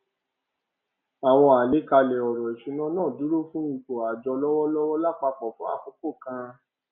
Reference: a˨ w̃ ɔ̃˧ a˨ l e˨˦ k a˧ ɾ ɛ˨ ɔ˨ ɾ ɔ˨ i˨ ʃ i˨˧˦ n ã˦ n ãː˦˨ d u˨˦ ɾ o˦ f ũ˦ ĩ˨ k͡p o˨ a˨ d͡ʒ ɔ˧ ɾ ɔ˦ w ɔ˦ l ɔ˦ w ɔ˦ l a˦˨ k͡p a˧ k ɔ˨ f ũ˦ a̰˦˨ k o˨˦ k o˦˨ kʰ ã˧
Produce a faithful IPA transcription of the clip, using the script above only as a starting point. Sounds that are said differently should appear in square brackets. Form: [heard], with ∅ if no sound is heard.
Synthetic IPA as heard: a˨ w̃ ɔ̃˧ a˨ l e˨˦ k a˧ [l] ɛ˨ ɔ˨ ɾ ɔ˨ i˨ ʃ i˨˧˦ n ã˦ n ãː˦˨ d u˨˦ ɾ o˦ f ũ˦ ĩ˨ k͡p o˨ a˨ d͡ʒ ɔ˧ [l] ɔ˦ w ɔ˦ l ɔ˦ w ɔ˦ l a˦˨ k͡p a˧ [k͡p] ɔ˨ f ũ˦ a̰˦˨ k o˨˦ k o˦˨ [k] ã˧